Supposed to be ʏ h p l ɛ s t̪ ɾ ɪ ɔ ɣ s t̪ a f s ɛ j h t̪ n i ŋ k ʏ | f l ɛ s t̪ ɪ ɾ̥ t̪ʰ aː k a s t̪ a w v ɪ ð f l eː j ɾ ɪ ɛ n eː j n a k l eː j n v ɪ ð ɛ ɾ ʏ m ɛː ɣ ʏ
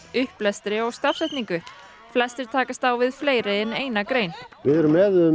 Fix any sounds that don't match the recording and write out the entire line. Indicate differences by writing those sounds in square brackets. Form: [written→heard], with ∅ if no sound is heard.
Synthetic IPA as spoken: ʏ h p l ɛ s t̪ ɾ ɪ ɔ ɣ s t̪ a f s ɛ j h t̪ n i ŋ k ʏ | f l ɛ s t̪ ɪ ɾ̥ t̪ʰ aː k a s t̪ a w v ɪ ð f l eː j ɾ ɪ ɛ n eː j n a k [l→ɾ] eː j n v ɪ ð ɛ ɾ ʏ m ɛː [ɣ→ð] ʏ